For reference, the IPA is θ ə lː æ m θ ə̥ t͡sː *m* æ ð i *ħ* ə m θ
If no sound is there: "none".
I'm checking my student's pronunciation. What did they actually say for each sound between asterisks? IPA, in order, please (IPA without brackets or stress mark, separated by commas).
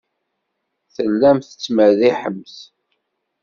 m, ħ